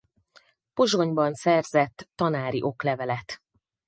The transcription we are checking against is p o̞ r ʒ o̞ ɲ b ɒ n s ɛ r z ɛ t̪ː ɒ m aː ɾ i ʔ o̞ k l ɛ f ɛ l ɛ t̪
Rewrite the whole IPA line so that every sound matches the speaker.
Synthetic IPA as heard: p o̞ ʒ o̞ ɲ b ɒ n s ɛ r z ɛ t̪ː ɒ n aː ɾ i ʔ o̞ k l ɛ v ɛ l ɛ t̪